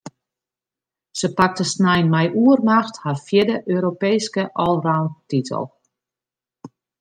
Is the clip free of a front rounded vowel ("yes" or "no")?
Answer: no